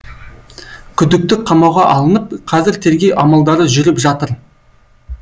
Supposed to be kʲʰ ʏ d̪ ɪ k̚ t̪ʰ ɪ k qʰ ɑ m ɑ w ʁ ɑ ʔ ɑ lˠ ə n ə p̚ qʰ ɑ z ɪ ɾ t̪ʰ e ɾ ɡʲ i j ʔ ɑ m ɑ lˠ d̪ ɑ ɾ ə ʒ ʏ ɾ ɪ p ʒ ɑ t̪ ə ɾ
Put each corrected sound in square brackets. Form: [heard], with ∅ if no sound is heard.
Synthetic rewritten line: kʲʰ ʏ d̪ ɪ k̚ [t̪] ɪ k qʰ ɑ m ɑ w ʁ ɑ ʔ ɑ lˠ ə n ə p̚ qʰ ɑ z ɪ ɾ t̪ʰ e ɾ ɡʲ [e] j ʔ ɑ m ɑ lˠ d̪ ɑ ɾ ə ʒ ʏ ɾ ɪ p ʒ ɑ t̪ ə ɾ

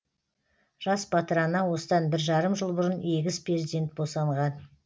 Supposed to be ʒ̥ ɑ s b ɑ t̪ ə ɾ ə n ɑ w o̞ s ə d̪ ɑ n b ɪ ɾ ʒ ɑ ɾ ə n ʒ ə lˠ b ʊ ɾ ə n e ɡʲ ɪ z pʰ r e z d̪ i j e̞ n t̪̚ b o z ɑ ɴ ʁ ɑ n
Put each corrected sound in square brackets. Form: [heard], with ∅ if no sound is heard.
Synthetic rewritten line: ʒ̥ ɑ s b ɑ t̪ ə ɾ [ɑ] n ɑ w o̞ s ə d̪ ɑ n b ɪ ɾ ʒ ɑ ɾ ə [m] ʒ ə lˠ b ʊ ɾ ə n e ɡʲ ɪ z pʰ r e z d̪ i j e̞ n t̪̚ b o [s] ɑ ɴ ʁ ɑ n

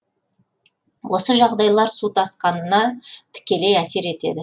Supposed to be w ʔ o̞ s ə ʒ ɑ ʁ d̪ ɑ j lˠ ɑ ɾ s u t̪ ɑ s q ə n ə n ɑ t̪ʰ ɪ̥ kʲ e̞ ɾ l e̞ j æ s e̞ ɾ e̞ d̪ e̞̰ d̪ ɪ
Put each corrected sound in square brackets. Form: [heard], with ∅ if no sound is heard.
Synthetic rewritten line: w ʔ o̞ s ə ʒ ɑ ʁ d̪ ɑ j lˠ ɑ ɾ s u t̪ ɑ s q [ɑ] n ə n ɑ t̪ʰ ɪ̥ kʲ e̞ [∅] l e̞ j æ s e̞ ɾ e̞ [t̪] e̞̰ d̪ ɪ

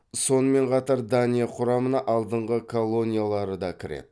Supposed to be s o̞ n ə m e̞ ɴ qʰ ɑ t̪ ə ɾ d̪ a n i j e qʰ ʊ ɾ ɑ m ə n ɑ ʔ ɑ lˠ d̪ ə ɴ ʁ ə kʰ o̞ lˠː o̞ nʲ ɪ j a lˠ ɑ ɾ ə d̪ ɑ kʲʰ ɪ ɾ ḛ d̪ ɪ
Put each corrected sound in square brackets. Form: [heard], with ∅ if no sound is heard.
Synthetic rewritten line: s o̞ n ə m e̞ ɴ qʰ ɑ t̪ [ɑ] ɾ d̪ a n i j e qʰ ʊ ɾ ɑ m ə n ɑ ʔ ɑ lˠ d̪ ə ɴ ʁ ə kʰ o̞ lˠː o̞ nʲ [i] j a lˠ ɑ ɾ ə d̪ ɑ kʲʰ ɪ ɾ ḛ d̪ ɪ

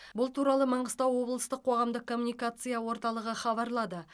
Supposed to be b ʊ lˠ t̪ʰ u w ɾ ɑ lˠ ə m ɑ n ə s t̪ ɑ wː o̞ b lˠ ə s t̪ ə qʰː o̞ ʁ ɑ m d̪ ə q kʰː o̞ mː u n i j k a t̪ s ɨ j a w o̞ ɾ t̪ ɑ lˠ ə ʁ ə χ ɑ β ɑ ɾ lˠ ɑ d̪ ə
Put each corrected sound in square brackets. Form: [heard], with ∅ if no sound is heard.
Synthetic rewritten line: b ʊ lˠ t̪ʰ u [∅] ɾ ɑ lˠ ə m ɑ [ɴ] ə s t̪ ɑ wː o̞ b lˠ ə s t̪ ə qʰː o̞ ʁ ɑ m d̪ ə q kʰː o̞ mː u n i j k a t̪ s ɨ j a w o̞ ɾ t̪ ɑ lˠ ə ʁ ə χ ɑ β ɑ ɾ lˠ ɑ d̪ ə

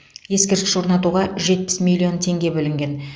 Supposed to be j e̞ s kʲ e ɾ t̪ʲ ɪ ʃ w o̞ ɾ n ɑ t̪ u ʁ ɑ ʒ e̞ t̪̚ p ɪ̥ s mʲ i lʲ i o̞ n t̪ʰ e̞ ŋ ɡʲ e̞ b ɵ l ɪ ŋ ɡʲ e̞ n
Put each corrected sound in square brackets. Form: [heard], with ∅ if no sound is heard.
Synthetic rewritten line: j e̞ s kʲ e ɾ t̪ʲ ɪ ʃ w o̞ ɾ n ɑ t̪ u ʁ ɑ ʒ e̞ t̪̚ p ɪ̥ s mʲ i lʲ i o̞ n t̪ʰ e̞ ŋ ɡʲ e̞ b ɵ l ɪ ŋ ɡʲ e̞ n

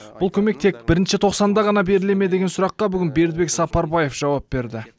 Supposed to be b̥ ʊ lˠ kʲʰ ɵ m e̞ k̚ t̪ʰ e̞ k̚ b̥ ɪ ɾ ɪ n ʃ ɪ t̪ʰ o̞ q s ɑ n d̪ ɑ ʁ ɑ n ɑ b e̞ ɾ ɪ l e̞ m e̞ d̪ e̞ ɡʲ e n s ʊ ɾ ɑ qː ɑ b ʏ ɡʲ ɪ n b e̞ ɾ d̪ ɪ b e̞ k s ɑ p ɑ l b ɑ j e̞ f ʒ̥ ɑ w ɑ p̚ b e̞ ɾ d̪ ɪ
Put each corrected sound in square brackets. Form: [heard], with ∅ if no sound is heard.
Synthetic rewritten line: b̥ ʊ lˠ kʲʰ ɵ m e̞ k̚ t̪ʰ e̞ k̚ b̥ ɪ ɾ ɪ n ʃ ɪ t̪ʰ o̞ q s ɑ n d̪ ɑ ʁ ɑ n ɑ b e̞ ɾ ɪ l e̞ m e̞ d̪ e̞ ɡʲ e n s ʊ ɾ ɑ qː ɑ b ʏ ɡʲ ɪ n b e̞ ɾ d̪ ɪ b e̞ k s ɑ p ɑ [ɾ] b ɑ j e̞ f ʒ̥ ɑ w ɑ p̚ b e̞ ɾ d̪ ɪ

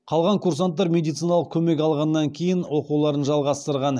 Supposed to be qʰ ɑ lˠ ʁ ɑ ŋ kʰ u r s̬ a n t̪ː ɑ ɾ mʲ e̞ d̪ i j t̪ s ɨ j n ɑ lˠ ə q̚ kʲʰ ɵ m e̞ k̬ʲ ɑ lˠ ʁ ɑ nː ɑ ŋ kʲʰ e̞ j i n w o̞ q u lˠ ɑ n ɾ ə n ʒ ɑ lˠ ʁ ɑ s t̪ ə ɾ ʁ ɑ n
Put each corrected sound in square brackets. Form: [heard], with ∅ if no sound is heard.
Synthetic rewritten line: qʰ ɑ lˠ ʁ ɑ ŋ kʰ u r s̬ a n t̪ː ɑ ɾ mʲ e̞ d̪ i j t̪ s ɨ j n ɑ lˠ ə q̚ kʲʰ ɵ m e̞ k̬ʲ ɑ lˠ ʁ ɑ nː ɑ ŋ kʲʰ e̞ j [ɪ] n w o̞ q u lˠ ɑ [∅] ɾ ə n ʒ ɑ lˠ ʁ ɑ s t̪ ə ɾ ʁ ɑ n

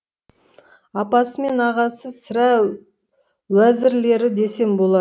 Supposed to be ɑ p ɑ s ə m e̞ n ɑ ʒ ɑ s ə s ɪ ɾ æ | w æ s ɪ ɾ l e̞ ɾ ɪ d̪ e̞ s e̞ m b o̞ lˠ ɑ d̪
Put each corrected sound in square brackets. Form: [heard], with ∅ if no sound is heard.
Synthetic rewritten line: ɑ p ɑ s ə m e̞ n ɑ [ʁ] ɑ s ə s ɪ ɾ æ | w æ [z] ɪ ɾ l e̞ ɾ ɪ d̪ e̞ s e̞ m b o̞ lˠ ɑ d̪

